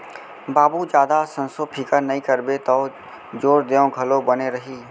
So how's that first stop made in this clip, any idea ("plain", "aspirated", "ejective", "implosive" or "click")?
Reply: plain